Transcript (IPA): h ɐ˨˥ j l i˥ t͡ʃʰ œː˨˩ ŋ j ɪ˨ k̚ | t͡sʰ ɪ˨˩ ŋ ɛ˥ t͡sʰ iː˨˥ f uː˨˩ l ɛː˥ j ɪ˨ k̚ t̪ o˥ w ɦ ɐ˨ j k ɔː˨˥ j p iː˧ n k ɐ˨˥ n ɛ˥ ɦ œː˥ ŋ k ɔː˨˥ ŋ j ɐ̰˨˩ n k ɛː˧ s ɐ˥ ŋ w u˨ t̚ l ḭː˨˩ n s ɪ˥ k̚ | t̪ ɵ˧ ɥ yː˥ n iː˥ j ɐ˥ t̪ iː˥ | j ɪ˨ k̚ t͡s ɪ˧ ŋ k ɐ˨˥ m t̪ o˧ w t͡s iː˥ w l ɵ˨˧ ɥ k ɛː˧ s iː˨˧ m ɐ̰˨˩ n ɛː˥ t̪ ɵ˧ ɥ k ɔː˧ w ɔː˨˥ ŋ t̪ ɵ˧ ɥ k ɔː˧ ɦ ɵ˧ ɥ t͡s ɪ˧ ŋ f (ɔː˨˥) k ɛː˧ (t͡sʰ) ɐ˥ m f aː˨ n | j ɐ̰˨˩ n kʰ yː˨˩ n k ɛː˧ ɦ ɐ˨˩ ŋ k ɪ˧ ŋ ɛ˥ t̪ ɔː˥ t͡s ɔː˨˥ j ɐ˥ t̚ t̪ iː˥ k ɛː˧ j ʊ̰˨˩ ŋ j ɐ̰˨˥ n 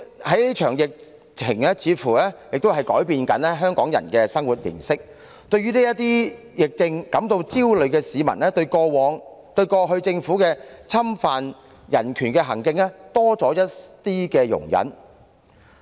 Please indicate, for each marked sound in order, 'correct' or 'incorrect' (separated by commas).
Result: incorrect, correct